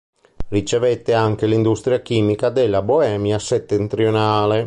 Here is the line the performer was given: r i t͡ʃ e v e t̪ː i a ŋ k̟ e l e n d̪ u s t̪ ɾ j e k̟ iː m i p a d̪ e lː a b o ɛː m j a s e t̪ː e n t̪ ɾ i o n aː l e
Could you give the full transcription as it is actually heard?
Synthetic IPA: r i t͡ʃ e v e t̪ː e a ŋ k̟ e l i n d̪ u s t̪ ɾ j a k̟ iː m i k a d̪ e lː a b o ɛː m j a s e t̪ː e n t̪ ɾ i o n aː l e